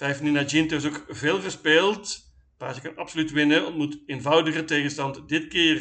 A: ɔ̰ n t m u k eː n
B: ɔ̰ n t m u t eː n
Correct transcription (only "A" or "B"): B